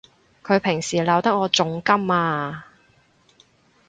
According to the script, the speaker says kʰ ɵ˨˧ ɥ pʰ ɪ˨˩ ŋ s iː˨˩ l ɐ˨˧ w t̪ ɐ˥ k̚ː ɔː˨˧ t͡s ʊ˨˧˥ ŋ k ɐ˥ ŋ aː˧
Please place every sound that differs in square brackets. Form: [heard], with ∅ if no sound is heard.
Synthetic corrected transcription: kʰ ɵ˨˧ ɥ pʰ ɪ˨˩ ŋ s iː˨˩ l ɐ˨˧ w t̪ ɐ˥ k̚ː ɔː˨˧ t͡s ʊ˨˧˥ ŋ k ɐ˥ [m] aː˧